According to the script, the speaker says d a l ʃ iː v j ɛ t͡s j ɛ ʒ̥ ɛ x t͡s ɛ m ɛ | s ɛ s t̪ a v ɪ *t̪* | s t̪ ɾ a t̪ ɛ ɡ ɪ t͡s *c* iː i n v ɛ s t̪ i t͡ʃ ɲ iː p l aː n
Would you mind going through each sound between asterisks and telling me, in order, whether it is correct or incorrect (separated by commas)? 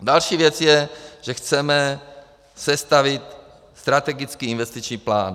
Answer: correct, incorrect